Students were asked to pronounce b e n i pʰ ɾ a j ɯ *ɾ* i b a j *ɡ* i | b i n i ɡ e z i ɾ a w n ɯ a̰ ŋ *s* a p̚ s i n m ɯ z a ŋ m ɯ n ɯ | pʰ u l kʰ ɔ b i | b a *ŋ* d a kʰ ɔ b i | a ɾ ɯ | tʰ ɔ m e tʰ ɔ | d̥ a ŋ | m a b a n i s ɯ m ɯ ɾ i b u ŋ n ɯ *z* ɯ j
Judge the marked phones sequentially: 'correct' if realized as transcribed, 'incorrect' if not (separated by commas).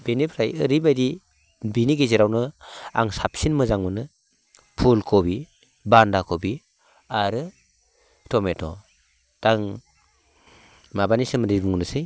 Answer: correct, incorrect, correct, incorrect, incorrect